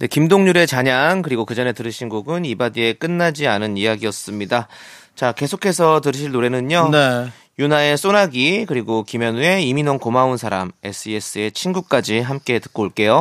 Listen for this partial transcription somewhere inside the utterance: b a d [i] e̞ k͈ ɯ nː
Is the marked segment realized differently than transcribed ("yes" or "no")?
no